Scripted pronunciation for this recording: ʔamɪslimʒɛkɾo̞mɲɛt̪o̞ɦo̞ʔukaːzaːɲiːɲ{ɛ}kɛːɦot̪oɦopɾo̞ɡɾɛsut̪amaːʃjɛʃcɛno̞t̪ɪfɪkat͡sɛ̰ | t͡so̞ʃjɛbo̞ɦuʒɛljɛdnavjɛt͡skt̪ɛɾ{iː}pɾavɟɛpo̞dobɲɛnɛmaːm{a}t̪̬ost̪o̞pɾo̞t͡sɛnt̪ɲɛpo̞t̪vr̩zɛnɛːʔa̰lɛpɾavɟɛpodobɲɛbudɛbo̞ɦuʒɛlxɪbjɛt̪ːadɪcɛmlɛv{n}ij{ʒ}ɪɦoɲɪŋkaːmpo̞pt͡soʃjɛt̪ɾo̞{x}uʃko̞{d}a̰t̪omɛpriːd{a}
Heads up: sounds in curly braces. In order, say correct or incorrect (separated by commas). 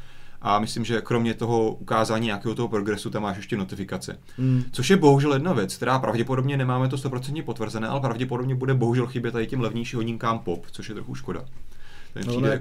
incorrect, incorrect, incorrect, incorrect, incorrect, correct, correct, incorrect